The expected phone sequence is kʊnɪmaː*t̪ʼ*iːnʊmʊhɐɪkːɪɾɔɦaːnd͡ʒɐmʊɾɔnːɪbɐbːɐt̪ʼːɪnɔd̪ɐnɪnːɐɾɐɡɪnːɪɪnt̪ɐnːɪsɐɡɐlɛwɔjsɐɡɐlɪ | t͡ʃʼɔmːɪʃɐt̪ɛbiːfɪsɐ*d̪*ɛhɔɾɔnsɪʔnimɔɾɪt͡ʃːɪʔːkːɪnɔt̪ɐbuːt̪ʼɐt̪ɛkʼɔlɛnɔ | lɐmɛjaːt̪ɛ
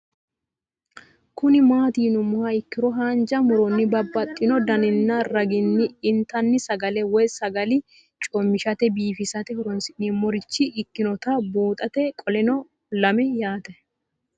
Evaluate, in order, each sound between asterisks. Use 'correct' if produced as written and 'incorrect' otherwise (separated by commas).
incorrect, incorrect